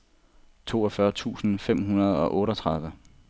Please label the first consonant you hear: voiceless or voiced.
voiceless